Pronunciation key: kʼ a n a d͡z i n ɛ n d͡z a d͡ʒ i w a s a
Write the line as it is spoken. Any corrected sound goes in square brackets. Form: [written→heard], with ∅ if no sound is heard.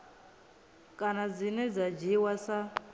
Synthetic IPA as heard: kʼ a n a d͡z i n ɛ [n→∅] d͡z a d͡ʒ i w a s a